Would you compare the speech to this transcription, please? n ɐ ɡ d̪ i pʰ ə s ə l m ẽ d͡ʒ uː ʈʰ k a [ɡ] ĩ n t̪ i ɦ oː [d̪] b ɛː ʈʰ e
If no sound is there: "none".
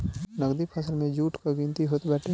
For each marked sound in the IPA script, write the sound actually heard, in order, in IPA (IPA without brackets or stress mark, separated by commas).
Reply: ɡ, t̪